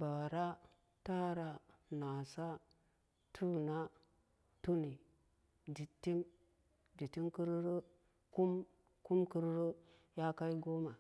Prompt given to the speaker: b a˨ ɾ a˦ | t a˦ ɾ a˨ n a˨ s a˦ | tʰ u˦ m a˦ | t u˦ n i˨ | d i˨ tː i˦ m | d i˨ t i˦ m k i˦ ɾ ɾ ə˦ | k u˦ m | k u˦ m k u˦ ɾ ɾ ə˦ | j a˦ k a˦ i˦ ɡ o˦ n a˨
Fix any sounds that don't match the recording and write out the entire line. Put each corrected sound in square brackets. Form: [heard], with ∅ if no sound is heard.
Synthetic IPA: b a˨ ɾ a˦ | t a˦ ɾ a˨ n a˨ s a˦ | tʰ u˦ [n] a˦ | t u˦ n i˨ | d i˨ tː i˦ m | d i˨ t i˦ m k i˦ ɾ ɾ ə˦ | k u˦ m | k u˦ m k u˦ ɾ ɾ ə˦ | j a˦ k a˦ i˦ ɡ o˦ [m] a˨

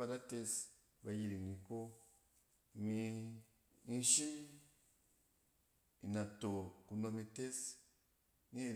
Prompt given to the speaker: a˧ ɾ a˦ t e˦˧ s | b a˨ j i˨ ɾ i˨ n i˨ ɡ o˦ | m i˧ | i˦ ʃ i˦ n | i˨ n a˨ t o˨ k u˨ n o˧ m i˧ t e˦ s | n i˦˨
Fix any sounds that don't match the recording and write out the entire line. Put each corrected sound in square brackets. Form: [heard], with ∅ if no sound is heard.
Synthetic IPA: a˧ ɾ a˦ t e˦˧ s | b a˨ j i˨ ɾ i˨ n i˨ [k] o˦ | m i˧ | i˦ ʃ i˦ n | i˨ n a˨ t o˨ k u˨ n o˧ m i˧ t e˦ s | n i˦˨

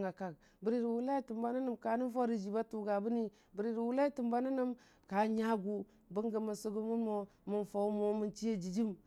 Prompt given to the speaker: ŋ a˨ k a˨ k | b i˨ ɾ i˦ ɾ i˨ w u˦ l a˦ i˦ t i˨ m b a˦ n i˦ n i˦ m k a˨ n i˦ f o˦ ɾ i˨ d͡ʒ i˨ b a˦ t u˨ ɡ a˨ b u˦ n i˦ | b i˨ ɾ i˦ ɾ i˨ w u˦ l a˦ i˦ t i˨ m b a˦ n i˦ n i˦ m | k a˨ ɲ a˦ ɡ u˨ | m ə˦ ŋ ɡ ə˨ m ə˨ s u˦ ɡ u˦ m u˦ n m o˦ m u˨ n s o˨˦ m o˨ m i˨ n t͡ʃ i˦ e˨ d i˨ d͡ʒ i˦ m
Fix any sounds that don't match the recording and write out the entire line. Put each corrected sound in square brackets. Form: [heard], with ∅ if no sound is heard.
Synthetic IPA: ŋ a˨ k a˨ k | b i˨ ɾ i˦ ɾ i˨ w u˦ l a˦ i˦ t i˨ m b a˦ n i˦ n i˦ m k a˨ n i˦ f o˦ ɾ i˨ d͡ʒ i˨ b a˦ t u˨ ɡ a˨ b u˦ n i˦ | b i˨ ɾ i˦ ɾ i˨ w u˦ l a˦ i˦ t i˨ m b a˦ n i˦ n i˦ m | k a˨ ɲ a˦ ɡ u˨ | [b] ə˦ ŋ ɡ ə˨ m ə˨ s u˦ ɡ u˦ m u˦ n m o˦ m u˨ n [f] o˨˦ m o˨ m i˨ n t͡ʃ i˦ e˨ [d͡ʒ] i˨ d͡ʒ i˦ m

